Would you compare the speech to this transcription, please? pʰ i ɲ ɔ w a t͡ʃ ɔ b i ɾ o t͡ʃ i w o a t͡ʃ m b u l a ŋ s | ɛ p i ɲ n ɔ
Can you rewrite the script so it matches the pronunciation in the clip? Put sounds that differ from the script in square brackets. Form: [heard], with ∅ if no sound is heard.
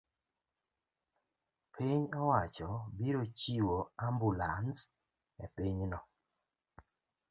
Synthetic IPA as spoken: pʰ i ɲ ɔ w a t͡ʃ ɔ b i ɾ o t͡ʃ i w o a [∅] m b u l a [n] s | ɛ p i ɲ n ɔ